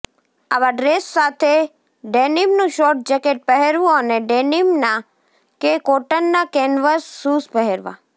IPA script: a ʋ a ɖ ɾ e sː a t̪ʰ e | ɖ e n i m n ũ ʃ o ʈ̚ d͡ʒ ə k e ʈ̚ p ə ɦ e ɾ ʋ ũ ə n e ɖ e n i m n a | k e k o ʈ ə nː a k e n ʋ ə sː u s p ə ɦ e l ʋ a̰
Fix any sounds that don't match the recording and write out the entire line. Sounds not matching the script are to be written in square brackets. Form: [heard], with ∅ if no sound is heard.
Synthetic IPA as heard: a ʋ a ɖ ɾ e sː a t̪ʰ e | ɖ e n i m n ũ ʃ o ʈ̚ d͡ʒ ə k e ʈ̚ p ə ɦ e ɾ ʋ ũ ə n e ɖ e n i m n a | k e k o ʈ ə nː a k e n ʋ ə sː u s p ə ɦ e [ɾ] ʋ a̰